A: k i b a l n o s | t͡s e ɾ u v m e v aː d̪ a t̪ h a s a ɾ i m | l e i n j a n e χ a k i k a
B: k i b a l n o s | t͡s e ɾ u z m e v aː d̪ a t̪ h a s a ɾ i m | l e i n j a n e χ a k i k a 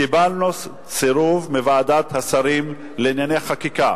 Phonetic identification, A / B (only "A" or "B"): A